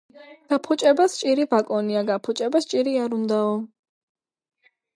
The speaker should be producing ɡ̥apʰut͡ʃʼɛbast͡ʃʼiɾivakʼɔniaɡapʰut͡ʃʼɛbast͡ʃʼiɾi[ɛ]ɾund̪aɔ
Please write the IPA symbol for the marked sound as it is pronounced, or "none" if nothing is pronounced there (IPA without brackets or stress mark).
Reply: a